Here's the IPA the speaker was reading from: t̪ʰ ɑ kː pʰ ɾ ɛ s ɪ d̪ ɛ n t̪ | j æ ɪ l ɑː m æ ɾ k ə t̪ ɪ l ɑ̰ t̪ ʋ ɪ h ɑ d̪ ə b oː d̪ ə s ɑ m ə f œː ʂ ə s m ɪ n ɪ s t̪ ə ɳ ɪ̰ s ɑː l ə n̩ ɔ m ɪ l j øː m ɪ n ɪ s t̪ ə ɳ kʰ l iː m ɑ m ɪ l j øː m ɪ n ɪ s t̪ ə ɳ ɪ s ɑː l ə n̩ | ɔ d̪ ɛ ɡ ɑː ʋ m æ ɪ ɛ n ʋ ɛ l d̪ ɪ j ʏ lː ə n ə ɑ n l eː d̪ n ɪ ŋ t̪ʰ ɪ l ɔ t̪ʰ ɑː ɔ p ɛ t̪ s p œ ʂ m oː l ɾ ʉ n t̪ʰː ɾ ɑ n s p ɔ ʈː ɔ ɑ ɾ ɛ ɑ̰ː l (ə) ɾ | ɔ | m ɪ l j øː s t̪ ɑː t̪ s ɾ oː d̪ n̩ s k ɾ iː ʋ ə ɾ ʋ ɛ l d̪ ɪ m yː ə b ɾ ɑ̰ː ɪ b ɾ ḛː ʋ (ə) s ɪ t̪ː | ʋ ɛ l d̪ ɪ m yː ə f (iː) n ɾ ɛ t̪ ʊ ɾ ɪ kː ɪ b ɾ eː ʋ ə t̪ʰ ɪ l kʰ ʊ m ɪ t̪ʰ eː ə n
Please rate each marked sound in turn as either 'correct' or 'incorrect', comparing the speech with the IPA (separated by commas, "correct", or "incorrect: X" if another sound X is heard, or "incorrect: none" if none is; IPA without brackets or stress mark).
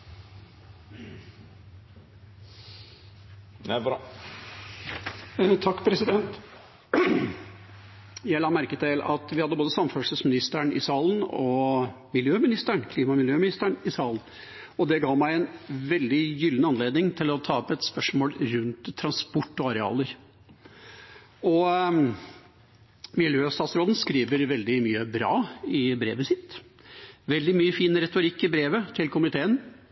correct, correct, correct